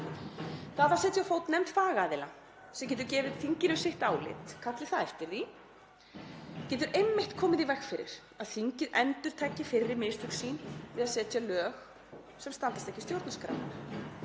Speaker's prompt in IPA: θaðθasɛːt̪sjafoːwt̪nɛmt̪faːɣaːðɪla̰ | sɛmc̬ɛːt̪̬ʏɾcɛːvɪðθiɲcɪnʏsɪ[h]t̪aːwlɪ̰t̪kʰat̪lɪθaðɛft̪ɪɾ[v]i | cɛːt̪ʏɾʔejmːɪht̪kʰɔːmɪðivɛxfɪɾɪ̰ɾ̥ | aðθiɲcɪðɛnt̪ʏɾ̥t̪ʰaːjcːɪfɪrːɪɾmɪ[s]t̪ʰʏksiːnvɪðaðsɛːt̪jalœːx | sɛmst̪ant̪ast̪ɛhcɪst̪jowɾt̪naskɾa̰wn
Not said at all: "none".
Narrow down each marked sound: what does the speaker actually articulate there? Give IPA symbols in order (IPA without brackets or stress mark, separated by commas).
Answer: h, ð, s